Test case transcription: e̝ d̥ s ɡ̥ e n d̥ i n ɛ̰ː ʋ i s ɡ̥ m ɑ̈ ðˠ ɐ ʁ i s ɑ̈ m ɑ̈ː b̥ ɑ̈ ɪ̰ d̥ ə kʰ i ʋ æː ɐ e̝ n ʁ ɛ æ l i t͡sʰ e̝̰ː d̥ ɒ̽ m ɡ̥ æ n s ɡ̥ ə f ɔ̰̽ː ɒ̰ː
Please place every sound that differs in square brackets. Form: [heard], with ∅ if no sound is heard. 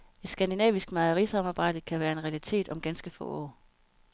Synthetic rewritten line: e̝ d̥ s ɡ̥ [æ] n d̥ i n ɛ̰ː ʋ i s ɡ̥ m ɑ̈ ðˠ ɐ ʁ i s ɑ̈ m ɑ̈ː b̥ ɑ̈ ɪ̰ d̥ ə kʰ [æ] ʋ æː ɐ e̝ n ʁ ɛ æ l i t͡sʰ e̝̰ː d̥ ɒ̽ m ɡ̥ æ n s ɡ̥ ə f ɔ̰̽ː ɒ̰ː